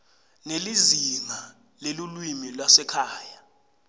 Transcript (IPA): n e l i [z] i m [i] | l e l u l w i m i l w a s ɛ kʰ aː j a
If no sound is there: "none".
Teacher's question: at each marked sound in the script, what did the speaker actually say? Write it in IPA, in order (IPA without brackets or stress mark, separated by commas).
z, a